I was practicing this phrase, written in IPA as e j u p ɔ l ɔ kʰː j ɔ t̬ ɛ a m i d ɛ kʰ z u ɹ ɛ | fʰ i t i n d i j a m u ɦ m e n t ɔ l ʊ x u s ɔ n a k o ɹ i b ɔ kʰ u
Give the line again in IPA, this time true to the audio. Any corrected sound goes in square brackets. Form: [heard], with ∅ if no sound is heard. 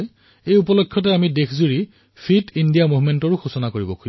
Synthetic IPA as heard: e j u p ɔ l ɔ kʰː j ɔ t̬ ɛ a m i d [e] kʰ z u ɹ [i] | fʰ i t i n d i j a m u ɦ m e n t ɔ [ɹ] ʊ x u s ɔ n a k o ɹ i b ɔ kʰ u